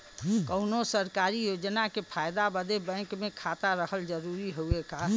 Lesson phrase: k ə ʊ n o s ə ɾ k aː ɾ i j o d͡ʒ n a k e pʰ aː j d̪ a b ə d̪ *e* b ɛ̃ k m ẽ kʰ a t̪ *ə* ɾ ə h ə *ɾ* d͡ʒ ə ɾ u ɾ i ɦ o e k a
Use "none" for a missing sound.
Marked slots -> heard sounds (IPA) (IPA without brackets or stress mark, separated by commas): e, a, l